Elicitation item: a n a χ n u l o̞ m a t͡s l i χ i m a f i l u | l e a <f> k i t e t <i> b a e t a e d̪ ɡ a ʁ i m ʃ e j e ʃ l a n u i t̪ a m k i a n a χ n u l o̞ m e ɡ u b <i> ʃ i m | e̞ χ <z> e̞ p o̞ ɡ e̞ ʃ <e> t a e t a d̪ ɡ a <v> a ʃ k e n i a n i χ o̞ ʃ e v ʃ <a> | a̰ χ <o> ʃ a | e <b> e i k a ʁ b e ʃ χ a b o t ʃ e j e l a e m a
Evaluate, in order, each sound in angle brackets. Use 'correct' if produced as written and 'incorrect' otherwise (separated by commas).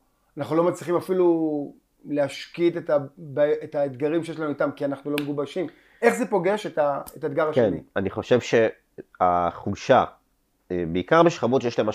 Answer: incorrect, incorrect, incorrect, correct, correct, incorrect, incorrect, incorrect, correct